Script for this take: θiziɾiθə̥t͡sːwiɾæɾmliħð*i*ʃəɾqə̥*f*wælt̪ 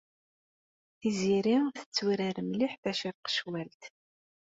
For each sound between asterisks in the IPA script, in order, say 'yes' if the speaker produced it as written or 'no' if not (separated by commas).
no, no